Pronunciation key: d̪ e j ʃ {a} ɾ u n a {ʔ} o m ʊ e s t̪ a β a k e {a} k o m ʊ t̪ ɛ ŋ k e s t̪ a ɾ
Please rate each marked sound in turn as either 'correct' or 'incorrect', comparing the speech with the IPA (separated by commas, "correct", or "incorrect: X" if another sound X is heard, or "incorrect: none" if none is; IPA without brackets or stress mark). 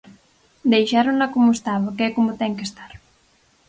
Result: correct, incorrect: k, incorrect: ɛ